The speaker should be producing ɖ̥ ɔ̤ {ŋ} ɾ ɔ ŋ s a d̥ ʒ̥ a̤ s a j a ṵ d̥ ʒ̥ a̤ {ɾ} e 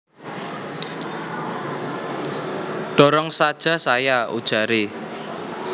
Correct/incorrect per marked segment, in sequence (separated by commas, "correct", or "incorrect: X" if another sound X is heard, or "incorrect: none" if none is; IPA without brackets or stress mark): incorrect: none, correct